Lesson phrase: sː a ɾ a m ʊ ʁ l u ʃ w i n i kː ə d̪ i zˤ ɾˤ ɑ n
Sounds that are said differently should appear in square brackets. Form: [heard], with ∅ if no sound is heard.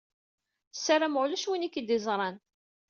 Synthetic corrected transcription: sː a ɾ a m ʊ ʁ l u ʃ w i n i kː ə d̪ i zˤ ɾˤ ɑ n

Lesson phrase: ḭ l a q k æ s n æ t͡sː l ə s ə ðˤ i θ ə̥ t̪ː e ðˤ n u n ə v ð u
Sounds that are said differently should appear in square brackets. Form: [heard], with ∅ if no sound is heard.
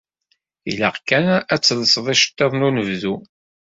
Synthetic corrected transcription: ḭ l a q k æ [∅] n æ t͡sː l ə s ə ðˤ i [ʃ] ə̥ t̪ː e ðˤ n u n ə v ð u

